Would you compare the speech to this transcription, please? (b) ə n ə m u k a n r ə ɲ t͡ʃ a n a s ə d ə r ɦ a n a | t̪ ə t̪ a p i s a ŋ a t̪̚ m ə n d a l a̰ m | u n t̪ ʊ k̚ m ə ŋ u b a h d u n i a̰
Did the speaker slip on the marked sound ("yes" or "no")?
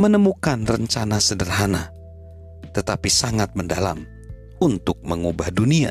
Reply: yes